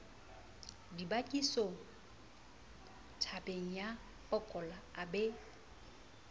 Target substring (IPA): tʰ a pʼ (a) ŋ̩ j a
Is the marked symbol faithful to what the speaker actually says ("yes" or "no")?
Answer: no